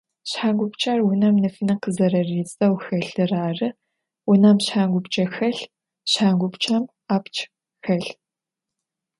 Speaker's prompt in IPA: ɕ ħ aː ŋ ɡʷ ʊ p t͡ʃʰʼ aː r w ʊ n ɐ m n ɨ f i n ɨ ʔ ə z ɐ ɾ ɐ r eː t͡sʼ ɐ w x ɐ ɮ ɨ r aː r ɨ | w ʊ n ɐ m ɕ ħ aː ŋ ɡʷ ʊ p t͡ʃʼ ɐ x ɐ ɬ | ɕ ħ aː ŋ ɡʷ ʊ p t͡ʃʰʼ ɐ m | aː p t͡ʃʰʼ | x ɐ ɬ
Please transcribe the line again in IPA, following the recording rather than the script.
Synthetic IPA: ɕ ħ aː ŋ ɡʷ ʊ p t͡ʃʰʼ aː r w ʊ n ɐ m n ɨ f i n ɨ q ə z ɐ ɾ ɐ r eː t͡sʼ ɐ w x ɐ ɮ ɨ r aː r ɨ | w ʊ n ɐ m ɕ ħ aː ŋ ɡʷ ʊ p t͡ʃʼ ɐ x ɐ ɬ | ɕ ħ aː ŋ ɡʷ ʊ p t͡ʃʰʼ ɐ m | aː p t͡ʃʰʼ | x ɐ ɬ